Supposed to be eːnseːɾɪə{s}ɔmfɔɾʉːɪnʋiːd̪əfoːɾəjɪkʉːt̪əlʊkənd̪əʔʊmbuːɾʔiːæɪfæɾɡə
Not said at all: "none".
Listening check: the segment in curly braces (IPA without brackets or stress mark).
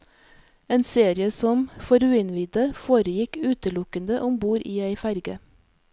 s